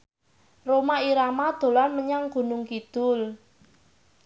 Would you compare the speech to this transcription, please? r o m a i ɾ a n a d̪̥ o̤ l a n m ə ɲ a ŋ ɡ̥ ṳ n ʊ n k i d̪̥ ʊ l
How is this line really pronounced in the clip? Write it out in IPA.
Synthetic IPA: r o m a i ɾ a m a d̪̥ o̤ l a n m ə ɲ a ŋ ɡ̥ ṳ n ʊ ŋ k i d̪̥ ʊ l